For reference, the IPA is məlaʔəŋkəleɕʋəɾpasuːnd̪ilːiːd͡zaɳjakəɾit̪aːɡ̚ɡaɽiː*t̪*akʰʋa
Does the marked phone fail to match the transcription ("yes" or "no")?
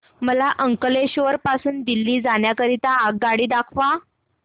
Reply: yes